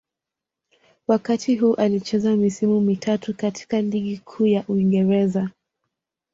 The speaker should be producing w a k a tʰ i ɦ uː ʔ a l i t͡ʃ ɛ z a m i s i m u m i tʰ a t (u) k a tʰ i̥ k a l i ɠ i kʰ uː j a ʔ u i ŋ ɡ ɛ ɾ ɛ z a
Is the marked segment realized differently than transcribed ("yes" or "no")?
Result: no